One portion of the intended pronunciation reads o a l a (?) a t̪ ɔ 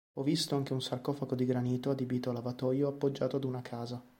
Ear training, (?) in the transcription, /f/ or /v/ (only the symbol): v